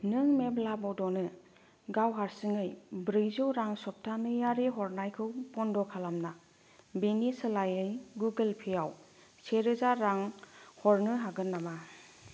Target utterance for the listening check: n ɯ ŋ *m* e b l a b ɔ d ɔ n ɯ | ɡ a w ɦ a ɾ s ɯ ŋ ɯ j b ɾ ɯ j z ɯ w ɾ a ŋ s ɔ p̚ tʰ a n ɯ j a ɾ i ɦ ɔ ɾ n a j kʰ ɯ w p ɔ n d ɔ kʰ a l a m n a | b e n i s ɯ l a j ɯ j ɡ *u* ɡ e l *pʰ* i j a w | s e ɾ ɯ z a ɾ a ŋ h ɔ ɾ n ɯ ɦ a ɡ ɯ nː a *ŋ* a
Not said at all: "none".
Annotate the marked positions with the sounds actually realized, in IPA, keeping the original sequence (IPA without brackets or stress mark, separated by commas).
m, u, pʰ, m